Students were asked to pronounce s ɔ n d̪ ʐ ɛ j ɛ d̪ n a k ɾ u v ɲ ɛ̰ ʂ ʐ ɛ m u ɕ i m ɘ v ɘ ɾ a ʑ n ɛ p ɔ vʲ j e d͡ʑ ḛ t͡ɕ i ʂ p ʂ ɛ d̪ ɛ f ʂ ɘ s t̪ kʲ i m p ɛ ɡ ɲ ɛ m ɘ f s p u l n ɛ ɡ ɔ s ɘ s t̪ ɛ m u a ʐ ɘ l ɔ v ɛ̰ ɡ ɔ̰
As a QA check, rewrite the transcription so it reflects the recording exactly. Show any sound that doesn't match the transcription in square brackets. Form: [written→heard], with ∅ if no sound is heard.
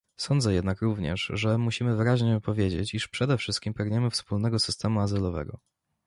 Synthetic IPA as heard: s ɔ n d̪ [ʐ→z] ɛ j ɛ d̪ n a k ɾ u v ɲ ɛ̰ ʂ ʐ ɛ m u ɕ i m ɘ v ɘ ɾ a ʑ [n→ɲ] ɛ p ɔ vʲ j e d͡ʑ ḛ t͡ɕ i ʂ p ʂ ɛ d̪ ɛ f ʂ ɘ s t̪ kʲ i m p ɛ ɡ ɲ ɛ m ɘ f s p u l n ɛ ɡ ɔ s ɘ s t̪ ɛ m u a [ʐ→z] ɘ l ɔ v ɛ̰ ɡ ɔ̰